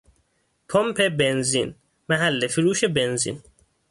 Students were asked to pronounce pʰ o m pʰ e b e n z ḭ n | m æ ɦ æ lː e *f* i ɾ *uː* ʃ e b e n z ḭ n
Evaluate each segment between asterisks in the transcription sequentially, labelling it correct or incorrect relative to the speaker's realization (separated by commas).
correct, correct